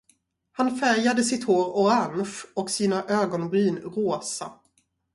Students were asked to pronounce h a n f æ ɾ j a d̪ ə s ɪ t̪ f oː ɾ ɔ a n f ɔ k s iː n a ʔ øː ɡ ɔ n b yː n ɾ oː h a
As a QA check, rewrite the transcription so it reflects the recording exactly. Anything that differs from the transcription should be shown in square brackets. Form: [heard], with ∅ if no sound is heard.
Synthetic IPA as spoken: h a n f æ ɾ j a d̪ ə s ɪ t̪ [h] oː ɾ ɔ a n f ɔ k s iː n a ʔ øː ɡ ɔ n b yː n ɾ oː [s] a